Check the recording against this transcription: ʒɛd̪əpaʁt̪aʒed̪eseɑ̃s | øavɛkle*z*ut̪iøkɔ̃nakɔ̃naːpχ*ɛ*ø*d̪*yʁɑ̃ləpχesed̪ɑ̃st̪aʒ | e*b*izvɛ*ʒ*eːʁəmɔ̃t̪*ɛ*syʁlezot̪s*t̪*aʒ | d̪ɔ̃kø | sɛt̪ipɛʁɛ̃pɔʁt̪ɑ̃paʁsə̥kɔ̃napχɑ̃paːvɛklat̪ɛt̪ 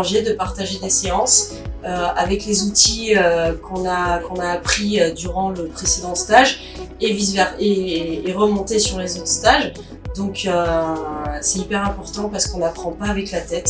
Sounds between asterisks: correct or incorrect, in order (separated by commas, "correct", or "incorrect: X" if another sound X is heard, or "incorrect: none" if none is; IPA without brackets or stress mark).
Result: correct, incorrect: i, correct, incorrect: v, incorrect: ʁ, incorrect: e, correct